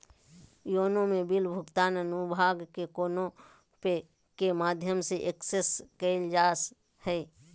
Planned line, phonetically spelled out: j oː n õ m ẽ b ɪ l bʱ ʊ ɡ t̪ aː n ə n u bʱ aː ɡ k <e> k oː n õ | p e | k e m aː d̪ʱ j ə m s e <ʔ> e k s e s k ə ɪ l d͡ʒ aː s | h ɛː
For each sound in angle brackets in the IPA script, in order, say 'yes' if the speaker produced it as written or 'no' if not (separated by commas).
yes, yes